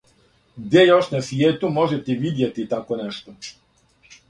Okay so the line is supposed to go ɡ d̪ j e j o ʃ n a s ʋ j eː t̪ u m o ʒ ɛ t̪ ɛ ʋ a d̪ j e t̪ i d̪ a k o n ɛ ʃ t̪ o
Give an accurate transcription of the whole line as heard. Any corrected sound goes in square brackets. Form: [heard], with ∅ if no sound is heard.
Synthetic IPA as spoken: ɡ d̪ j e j o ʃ n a s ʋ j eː t̪ u m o ʒ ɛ t̪ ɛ ʋ [i] d̪ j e t̪ i [t̪] a k o n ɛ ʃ t̪ o